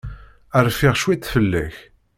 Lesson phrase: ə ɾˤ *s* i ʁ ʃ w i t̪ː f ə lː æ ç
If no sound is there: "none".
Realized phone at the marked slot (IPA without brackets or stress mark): f